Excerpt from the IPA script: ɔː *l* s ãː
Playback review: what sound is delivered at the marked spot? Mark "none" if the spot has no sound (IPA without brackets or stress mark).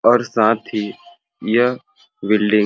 ɾ